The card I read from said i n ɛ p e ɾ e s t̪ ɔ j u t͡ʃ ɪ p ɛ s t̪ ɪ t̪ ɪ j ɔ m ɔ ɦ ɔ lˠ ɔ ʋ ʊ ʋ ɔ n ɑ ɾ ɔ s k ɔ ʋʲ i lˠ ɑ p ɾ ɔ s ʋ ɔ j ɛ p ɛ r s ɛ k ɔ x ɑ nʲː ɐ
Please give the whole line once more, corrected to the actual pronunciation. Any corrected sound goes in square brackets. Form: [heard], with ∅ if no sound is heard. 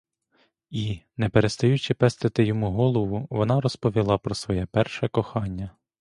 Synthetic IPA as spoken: i n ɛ p e ɾ e s t̪ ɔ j u t͡ʃ ɪ p ɛ s t̪ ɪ t̪ ɪ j ɔ m [u] ɦ ɔ lˠ ɔ ʋ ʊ ʋ ɔ n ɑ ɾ ɔ s [p] ɔ ʋʲ i lˠ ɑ p ɾ ɔ s ʋ ɔ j ɛ p ɛ r [ʃ] ɛ k ɔ x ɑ nʲː ɐ